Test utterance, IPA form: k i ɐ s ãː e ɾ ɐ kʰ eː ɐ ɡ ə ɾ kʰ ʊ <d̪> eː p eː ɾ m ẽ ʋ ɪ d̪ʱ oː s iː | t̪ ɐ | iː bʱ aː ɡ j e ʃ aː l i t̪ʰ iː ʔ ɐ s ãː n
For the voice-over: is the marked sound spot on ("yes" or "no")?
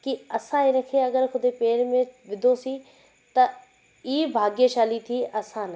yes